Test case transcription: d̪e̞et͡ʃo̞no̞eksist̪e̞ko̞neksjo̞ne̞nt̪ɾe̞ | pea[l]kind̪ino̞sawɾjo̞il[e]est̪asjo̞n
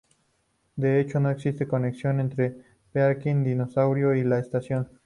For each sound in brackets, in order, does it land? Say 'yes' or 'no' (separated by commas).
no, no